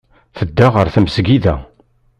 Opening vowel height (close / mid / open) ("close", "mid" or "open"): mid